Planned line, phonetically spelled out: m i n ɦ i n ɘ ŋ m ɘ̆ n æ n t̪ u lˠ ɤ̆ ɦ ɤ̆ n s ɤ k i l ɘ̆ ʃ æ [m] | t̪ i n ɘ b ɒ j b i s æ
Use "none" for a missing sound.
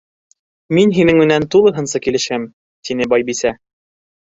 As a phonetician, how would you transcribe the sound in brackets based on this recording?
m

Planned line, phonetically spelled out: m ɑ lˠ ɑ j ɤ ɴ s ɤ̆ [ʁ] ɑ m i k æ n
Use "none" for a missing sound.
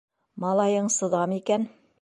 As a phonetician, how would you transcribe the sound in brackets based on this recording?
ð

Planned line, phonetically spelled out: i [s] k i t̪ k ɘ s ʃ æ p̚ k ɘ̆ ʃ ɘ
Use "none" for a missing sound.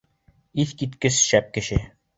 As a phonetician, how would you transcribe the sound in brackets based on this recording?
θ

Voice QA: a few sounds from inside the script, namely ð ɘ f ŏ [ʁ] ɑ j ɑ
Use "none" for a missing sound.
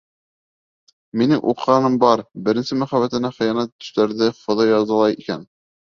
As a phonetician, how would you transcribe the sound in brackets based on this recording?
ð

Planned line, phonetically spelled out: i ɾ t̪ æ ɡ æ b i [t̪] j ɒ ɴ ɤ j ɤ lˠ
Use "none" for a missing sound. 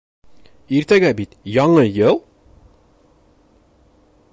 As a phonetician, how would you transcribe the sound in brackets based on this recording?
t̪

